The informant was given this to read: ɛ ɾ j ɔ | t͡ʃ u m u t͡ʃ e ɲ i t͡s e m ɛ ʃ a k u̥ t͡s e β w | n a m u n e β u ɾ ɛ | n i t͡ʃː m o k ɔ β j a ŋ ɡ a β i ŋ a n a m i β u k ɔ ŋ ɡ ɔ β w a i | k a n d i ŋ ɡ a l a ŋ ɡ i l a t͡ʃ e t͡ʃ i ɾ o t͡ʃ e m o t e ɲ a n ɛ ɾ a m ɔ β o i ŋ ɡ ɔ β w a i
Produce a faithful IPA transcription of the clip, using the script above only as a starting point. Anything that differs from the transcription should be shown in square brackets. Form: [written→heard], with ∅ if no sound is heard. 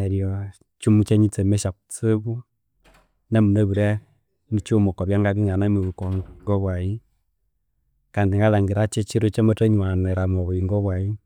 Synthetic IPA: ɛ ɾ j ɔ | t͡ʃ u m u t͡ʃ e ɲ i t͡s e m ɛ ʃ a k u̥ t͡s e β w | n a m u n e β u ɾ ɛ | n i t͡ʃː m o k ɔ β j a ŋ ɡ a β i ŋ a n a m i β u k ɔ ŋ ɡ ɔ β w a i | k a n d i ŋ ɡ a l a ŋ ɡ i [l→ɾ] a t͡ʃ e t͡ʃ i ɾ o t͡ʃ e m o t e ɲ a n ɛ ɾ a m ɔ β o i ŋ ɡ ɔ β w a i